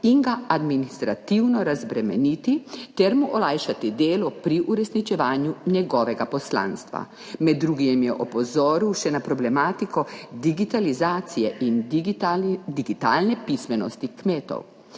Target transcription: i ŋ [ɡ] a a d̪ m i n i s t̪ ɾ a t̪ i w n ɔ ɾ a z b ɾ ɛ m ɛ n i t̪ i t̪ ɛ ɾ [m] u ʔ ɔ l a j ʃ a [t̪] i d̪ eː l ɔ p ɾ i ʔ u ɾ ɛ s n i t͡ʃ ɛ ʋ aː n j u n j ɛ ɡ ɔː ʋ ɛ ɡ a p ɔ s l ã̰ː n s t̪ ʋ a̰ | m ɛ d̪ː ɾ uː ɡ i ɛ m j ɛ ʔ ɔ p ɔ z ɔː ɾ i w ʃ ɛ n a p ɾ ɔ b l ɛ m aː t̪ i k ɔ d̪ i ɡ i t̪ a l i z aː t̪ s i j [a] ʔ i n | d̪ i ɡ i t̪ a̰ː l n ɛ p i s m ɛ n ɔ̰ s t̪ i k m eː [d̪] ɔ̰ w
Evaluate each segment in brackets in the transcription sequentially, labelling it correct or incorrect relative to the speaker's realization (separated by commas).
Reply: correct, correct, correct, incorrect, incorrect